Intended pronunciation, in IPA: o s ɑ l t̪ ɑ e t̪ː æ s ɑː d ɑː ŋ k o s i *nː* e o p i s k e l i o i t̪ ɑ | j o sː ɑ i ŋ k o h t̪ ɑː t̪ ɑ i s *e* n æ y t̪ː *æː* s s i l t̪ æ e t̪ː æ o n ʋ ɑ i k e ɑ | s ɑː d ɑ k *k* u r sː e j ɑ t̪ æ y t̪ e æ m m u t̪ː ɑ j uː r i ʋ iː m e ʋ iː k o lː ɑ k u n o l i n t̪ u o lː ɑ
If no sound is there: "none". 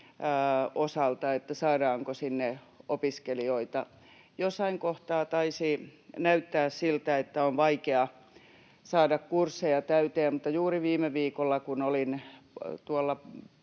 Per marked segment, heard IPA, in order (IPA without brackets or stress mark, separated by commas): nː, i, æː, k